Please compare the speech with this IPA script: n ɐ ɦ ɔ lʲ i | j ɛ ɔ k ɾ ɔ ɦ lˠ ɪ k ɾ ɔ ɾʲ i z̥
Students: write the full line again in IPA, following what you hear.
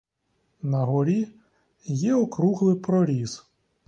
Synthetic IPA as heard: n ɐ ɦ ɔ ɾʲ i | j ɛ ɔ k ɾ u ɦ lˠ ɪ p ɾ ɔ ɾʲ i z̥